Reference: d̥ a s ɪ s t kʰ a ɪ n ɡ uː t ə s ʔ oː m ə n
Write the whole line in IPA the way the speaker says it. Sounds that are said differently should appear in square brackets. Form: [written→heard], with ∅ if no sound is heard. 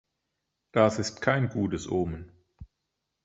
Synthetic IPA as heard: d̥ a s ɪ s t kʰ a ɪ n ɡ uː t ə s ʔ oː m ə n